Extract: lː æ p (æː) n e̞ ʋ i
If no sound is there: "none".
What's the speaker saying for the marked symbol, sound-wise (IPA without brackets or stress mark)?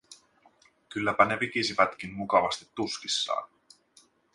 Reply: æ